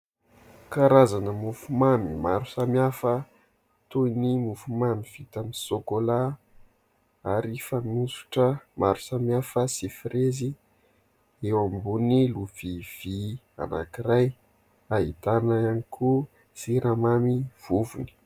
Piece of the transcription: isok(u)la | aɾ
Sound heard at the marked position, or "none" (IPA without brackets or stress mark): o